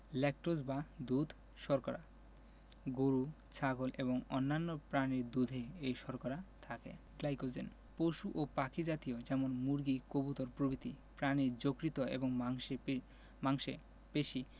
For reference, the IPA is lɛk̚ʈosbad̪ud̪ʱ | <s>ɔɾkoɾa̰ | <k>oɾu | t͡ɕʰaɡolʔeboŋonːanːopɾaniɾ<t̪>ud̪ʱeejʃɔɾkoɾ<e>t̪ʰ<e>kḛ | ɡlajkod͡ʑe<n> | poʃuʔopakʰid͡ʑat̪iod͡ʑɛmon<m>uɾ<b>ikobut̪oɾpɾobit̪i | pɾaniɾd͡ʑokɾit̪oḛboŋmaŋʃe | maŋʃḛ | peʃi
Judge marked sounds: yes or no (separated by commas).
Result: no, no, no, no, no, yes, yes, no